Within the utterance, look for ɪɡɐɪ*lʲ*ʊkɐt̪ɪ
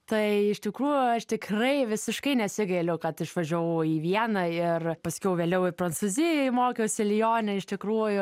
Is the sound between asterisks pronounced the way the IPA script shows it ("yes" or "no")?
yes